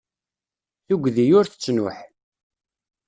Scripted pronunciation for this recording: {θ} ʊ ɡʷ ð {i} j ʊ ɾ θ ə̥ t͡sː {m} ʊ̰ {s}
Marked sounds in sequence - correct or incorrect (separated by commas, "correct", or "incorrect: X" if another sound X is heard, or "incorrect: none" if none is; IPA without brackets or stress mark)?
correct, correct, incorrect: n, incorrect: ħ